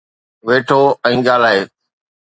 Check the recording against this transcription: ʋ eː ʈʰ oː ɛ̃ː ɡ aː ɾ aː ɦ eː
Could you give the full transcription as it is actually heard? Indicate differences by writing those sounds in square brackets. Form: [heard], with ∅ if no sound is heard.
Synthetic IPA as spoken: ʋ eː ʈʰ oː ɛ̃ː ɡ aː [l] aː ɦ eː